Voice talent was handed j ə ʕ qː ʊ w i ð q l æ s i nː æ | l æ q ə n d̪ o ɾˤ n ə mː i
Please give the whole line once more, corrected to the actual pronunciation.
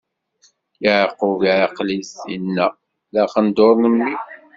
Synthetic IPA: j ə ʕ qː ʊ v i ʕ q l i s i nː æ | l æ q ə n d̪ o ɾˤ n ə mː i